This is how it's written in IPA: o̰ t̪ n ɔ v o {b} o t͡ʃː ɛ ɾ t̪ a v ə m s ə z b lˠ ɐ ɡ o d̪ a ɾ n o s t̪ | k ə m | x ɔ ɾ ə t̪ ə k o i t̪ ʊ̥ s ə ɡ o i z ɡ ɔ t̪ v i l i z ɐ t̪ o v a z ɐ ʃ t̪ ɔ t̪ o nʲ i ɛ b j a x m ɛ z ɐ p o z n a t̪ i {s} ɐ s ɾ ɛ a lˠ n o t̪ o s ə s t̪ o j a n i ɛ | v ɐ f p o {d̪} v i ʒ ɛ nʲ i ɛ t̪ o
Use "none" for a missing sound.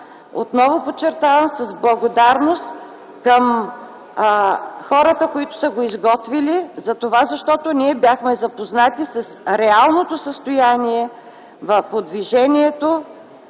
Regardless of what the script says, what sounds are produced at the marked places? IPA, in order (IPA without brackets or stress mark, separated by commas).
p, s, d̪